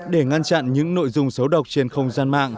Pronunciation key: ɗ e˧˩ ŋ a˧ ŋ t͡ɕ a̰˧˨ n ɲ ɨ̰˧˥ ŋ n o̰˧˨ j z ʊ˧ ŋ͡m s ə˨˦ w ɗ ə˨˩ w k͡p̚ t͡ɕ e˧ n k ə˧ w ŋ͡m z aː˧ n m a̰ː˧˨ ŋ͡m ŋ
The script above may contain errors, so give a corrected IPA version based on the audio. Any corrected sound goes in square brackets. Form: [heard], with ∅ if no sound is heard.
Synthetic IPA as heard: ɗ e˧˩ ŋ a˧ [n] t͡ɕ a̰˧˨ n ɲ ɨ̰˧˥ ŋ n o̰˧˨ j z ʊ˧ ŋ͡m s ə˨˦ w ɗ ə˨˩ w k͡p̚ t͡ɕ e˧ n [x] ə˧ w ŋ͡m z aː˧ n m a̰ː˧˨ [∅] ŋ